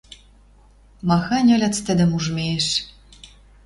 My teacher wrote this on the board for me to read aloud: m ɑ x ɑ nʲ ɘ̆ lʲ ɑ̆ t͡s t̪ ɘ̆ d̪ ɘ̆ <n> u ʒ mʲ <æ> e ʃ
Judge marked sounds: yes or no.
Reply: no, no

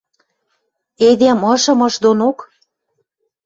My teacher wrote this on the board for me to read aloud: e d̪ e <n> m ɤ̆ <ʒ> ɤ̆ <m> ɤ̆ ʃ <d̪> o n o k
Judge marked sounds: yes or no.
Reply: no, no, yes, yes

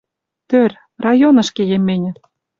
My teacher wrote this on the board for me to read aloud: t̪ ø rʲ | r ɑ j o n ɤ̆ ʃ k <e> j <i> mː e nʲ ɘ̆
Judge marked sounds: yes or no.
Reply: yes, no

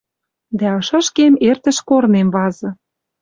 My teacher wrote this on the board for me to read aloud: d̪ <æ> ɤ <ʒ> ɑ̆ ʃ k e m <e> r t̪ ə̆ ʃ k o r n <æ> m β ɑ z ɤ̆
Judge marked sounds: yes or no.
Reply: yes, no, yes, no

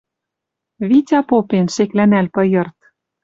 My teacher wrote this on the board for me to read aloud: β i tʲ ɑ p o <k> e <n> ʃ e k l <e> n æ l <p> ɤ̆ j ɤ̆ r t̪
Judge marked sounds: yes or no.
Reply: no, yes, no, yes

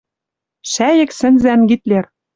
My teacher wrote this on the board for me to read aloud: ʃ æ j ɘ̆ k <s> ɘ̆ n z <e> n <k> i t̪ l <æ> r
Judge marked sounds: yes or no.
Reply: yes, no, no, no

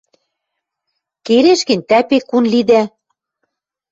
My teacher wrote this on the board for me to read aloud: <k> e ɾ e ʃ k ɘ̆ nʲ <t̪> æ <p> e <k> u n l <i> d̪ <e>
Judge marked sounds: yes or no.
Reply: yes, yes, yes, yes, yes, no

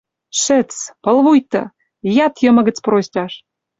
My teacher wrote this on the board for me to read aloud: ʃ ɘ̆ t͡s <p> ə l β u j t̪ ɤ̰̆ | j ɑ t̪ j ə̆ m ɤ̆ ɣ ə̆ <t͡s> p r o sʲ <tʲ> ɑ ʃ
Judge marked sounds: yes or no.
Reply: yes, yes, yes

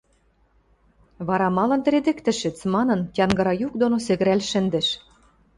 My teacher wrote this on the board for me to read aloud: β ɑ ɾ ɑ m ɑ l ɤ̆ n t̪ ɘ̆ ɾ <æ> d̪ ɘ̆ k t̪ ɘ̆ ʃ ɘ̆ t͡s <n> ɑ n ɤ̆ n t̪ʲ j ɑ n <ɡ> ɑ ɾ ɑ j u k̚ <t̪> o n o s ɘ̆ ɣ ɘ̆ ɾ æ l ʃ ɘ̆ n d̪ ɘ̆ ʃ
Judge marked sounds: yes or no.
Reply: no, no, yes, no

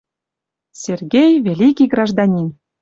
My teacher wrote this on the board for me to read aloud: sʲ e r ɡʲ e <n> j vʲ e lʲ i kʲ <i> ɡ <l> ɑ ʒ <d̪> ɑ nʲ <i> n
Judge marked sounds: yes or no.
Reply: no, yes, no, yes, yes

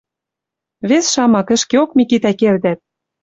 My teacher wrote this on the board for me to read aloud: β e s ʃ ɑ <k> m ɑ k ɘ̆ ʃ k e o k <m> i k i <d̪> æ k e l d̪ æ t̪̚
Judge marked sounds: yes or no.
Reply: no, yes, no

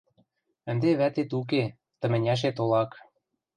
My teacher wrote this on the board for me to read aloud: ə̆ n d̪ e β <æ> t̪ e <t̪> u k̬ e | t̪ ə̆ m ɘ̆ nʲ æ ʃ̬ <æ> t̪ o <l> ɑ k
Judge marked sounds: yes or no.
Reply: yes, yes, no, yes

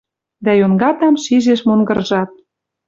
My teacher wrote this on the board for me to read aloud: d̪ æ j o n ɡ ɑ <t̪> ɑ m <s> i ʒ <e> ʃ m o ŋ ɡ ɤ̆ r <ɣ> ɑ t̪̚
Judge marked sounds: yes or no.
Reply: yes, no, yes, no

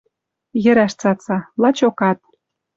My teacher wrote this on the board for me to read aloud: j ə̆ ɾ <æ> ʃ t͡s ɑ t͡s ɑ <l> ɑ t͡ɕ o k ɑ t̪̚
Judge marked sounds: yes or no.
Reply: yes, yes

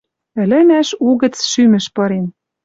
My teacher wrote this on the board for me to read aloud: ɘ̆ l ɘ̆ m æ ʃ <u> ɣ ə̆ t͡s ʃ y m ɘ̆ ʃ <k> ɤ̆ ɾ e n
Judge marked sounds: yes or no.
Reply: yes, no

